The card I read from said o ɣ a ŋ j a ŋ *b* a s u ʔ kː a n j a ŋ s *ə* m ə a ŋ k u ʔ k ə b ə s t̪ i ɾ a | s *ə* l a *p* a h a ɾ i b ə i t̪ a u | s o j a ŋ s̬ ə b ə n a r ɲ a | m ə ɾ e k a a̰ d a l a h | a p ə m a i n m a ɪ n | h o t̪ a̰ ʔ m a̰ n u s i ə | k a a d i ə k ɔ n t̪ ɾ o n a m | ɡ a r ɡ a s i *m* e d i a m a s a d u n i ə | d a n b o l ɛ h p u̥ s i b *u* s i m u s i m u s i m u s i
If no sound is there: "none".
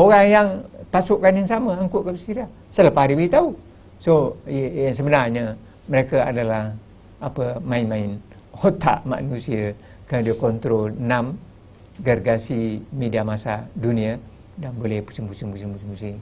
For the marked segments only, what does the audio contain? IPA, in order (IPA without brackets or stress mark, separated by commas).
p, a, ə, p, m, u